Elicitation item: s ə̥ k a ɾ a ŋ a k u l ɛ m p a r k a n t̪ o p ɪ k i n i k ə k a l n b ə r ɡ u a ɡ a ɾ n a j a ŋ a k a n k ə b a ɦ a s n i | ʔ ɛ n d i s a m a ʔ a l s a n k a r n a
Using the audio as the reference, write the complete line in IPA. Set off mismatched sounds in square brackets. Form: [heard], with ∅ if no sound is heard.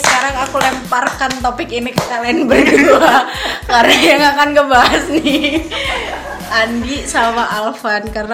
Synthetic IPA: s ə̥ k a ɾ a ŋ a k u l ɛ m p a r k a n t̪ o p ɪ k i n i k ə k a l n b ə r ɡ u a [k] a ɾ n a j a ŋ a k a n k ə b a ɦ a s n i | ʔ [a] n d i s a m a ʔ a l [f] a n k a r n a